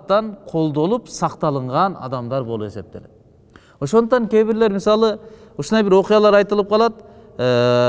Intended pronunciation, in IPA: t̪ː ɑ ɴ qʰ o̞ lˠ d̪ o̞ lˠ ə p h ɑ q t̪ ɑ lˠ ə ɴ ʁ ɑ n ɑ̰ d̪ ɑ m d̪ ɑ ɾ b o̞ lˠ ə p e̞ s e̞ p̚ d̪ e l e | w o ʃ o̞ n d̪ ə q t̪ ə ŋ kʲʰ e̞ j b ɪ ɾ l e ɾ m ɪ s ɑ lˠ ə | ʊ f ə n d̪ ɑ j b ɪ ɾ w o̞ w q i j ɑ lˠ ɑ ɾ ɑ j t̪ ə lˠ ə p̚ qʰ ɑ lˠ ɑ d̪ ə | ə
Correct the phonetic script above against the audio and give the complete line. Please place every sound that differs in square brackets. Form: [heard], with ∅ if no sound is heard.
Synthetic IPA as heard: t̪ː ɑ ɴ qʰ o̞ lˠ d̪ o̞ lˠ ə p [s] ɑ q t̪ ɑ lˠ ə ɴ ʁ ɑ n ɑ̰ d̪ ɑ m d̪ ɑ ɾ b o̞ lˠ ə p e̞ s e̞ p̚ [t̪] e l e | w o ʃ o̞ n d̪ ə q t̪ [ɑ] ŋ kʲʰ e̞ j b ɪ ɾ l e ɾ m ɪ s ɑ lˠ ə | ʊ [ʃ] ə n d̪ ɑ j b ɪ ɾ w o̞ [∅] q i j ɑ lˠ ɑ ɾ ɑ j t̪ ə lˠ ə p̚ qʰ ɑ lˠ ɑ d̪ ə | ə

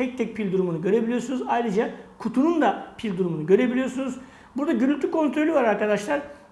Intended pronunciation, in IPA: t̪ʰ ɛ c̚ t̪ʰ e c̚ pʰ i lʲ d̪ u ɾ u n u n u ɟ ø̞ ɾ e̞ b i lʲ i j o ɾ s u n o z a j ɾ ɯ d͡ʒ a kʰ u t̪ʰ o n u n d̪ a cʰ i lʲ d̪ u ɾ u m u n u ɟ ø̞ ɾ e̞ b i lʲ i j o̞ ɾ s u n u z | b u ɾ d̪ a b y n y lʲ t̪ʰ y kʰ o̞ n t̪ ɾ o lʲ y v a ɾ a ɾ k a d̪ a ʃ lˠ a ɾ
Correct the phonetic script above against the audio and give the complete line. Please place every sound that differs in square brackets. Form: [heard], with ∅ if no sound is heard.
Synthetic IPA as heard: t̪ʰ ɛ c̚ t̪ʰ [ɛ] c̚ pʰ i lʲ d̪ u ɾ u [m] u n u ɟ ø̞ ɾ e̞ b i lʲ i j o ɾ s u n [u] z a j ɾ ɯ d͡ʒ a kʰ u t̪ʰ [u] n u n d̪ a [pʰ] i lʲ d̪ u ɾ u m u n u ɟ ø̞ ɾ e̞ b i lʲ i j o̞ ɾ s u n u z | b u ɾ d̪ a [ɟ] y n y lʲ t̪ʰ y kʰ o̞ n t̪ ɾ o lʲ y v a ɾ a ɾ k a d̪ a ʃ lˠ a ɾ

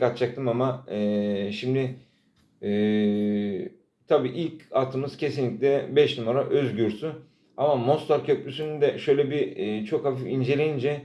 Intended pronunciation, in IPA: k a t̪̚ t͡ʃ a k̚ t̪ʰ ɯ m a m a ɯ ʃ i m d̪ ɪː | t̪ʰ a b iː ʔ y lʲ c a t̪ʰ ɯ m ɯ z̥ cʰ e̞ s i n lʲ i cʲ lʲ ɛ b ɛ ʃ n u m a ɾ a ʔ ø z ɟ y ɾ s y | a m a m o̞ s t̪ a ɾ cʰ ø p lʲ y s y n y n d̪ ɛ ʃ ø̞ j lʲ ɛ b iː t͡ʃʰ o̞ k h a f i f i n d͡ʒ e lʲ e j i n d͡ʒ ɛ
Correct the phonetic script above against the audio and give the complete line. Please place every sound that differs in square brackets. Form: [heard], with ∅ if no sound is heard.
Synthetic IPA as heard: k a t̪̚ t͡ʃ a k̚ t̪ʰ ɯ m a m a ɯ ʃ i m d̪ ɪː | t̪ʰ a b iː ʔ [i] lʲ c a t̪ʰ ɯ m ɯ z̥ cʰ e̞ s i n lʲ i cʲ lʲ ɛ b ɛ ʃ n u m a ɾ a ʔ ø z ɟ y ɾ s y | a m a m o̞ s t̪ a ɾ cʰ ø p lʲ y s y n y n d̪ ɛ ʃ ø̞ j lʲ ɛ b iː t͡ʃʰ o̞ k h a f i f i n d͡ʒ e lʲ e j i n d͡ʒ ɛ

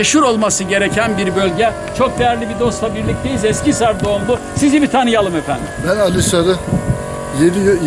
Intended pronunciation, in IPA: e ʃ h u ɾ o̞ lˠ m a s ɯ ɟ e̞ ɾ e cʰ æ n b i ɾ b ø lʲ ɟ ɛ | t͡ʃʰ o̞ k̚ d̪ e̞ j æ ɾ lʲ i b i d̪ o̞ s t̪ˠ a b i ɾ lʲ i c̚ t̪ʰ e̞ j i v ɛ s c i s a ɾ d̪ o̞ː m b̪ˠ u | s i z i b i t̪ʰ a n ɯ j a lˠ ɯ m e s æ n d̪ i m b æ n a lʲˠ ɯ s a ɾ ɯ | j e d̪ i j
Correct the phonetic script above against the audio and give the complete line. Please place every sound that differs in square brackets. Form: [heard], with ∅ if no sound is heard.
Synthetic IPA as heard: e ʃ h u ɾ o̞ lˠ m a s ɯ ɟ e̞ ɾ e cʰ æ n b i ɾ b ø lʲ ɟ ɛ | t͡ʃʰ o̞ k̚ d̪ e̞ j æ ɾ lʲ i b i d̪ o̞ s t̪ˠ a b i ɾ lʲ i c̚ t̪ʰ e̞ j i [z] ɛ s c i s a ɾ d̪ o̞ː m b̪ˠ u | s i z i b i t̪ʰ a n ɯ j a lˠ ɯ m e [f] æ n d̪ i m b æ n a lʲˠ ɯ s a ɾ ɯ | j e d̪ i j

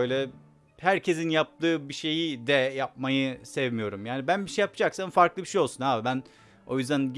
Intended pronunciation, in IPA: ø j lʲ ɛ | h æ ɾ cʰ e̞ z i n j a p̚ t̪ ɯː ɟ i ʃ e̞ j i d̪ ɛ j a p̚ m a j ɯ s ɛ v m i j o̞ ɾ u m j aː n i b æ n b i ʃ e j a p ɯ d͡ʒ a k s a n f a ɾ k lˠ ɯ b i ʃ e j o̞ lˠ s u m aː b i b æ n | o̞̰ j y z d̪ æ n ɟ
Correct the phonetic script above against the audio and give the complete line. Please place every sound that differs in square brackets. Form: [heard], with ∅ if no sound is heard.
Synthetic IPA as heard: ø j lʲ ɛ | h æ ɾ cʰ e̞ z i n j a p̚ t̪ ɯː [b] i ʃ e̞ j i d̪ ɛ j a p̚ m a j ɯ s ɛ v m i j o̞ ɾ u m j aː n i b æ n b i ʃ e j a p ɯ d͡ʒ a k s a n f a ɾ k lˠ ɯ b i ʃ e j o̞ lˠ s u [n] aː b i b æ n | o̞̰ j y z d̪ æ n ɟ

